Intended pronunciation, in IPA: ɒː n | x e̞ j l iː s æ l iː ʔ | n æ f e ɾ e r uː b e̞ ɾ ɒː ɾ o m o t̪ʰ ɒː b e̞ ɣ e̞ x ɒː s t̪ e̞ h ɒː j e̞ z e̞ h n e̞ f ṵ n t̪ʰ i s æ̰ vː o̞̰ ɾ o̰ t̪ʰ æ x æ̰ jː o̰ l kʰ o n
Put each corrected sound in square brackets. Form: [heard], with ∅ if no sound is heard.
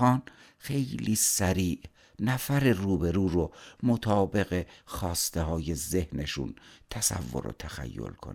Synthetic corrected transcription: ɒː n | x e̞ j l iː s æ [ɾ] iː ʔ | n æ f [æ] ɾ e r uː b e̞ ɾ [uː] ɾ o m o t̪ʰ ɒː b e̞ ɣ e̞ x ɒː s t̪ e̞ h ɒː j e̞ z e̞ h n e̞ [ʃ] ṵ n t̪ʰ [æ] s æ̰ vː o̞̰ ɾ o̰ t̪ʰ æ x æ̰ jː o̰ l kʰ o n